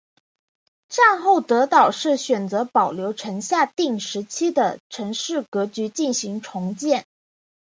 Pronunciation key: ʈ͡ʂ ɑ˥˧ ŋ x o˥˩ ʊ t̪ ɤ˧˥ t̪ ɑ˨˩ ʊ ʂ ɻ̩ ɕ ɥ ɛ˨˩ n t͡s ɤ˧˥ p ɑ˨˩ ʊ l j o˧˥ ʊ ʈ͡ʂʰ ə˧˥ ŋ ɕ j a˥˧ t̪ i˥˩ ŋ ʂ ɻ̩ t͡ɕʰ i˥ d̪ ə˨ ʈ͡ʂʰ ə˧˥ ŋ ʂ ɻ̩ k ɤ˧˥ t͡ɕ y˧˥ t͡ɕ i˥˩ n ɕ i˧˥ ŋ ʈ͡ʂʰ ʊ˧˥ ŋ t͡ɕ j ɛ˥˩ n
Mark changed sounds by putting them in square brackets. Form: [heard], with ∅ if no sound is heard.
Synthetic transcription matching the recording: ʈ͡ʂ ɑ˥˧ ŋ x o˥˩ ʊ t̪ ɤ˧˥ t̪ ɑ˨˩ ʊ ʂ ɻ̩ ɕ ɥ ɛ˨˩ n t͡s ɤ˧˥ p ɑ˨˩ ʊ l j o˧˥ ʊ ʈ͡ʂʰ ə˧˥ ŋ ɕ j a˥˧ t̪ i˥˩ ŋ ʂ ɻ̩ t͡ɕʰ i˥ d̪ ə˨ ʈ͡ʂʰ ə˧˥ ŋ ʂ ɻ̩ k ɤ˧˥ t͡ɕ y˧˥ t͡ɕ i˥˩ n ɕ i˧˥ ŋ ʈ͡ʂʰ ʊ˧˥ ŋ t͡ɕ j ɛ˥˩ n